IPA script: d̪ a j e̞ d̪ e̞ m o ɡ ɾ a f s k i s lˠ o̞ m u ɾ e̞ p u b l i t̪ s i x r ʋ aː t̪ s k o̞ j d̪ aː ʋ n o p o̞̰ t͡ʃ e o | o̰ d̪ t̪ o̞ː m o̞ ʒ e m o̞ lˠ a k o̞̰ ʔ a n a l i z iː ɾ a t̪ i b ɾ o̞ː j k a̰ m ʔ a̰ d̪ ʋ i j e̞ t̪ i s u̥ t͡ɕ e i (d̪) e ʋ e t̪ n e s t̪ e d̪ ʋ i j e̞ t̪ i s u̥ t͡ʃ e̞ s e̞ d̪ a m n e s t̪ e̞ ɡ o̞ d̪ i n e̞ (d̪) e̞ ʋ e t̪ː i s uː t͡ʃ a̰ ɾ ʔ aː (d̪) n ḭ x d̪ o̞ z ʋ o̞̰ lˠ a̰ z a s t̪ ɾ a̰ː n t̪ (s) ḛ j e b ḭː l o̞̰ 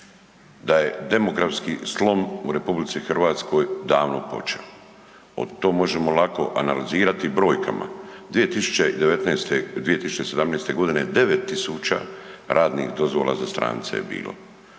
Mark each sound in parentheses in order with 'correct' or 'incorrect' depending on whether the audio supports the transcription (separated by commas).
correct, correct, correct, correct